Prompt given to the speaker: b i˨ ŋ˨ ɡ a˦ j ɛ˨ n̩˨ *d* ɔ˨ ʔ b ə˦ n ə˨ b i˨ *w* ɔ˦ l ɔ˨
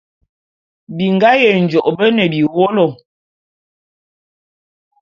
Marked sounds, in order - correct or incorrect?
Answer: incorrect: d͡ʒ, correct

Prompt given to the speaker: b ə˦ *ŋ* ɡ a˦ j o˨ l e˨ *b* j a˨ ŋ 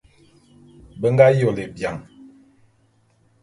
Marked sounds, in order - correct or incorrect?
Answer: correct, correct

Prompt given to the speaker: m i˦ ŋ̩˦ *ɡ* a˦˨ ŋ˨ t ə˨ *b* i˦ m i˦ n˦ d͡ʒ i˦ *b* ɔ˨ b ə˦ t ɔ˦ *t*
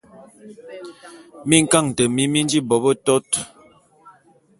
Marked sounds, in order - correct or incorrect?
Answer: incorrect: k, incorrect: m, correct, correct

